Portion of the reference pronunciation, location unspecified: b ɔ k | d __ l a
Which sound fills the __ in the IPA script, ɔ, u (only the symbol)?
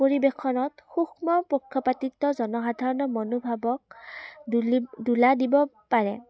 u